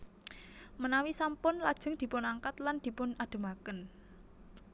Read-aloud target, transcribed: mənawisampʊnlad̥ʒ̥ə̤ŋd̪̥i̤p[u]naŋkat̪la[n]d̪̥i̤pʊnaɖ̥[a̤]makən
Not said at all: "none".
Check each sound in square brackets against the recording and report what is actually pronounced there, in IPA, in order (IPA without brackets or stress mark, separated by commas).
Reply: ʊ, n, ə̤